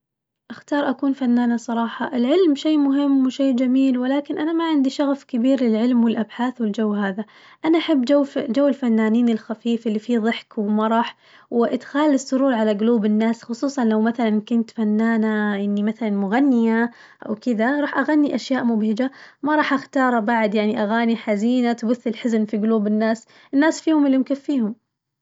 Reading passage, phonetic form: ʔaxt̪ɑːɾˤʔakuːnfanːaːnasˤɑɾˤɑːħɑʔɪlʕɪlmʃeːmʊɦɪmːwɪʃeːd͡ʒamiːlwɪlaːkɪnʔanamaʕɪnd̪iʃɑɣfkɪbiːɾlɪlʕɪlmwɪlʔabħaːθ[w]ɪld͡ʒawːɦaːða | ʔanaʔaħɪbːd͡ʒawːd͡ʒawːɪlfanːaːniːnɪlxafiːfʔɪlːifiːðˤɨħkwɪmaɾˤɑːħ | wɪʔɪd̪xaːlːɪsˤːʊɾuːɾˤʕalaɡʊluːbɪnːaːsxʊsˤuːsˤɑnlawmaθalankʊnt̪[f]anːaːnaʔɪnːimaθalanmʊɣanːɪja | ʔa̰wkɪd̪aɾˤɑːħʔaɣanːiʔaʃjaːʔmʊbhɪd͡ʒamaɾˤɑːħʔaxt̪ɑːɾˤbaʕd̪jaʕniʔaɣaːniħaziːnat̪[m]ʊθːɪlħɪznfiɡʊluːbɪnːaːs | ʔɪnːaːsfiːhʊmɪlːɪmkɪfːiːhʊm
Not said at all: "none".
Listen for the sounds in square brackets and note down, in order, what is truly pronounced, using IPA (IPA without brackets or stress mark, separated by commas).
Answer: w, f, b